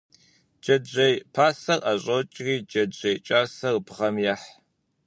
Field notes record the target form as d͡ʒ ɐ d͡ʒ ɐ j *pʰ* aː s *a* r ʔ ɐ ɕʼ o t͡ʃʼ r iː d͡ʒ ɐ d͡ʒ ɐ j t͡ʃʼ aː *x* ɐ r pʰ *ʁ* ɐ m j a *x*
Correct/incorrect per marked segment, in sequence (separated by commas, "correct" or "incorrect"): correct, incorrect, incorrect, correct, incorrect